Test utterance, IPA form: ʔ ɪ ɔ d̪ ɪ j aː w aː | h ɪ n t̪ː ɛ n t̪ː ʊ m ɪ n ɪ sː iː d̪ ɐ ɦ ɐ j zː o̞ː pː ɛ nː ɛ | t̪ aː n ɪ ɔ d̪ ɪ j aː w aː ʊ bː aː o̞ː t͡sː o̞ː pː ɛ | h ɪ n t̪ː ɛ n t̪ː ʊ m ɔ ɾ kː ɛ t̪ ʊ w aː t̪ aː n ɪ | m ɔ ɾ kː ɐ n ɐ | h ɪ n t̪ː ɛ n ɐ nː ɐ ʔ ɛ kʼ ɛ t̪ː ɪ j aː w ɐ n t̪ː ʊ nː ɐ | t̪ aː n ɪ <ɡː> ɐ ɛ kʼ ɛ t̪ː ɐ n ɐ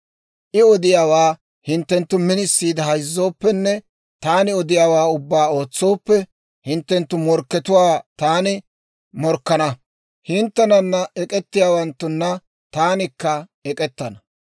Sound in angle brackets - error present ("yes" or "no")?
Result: yes